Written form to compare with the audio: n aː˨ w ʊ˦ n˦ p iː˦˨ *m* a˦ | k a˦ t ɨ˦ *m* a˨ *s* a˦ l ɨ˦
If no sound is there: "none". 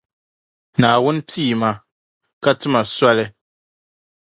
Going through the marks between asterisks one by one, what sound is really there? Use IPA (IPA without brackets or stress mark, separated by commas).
m, m, s